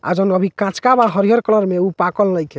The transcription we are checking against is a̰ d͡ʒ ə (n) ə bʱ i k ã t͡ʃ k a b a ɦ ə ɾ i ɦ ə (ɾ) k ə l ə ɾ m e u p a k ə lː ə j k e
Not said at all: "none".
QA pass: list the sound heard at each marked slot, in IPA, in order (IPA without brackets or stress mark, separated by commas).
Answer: n, ɾ